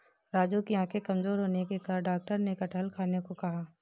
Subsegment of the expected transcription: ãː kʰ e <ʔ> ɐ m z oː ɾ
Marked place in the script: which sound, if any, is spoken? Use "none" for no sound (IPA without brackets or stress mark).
k